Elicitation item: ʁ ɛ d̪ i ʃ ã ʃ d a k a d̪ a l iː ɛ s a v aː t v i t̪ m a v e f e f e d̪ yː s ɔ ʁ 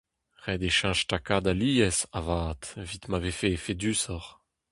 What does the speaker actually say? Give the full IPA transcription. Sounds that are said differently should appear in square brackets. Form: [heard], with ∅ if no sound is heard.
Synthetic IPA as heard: ʁ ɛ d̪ [e] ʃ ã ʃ [t] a k a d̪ a l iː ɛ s a v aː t v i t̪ m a v e f e f e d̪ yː s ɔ ʁ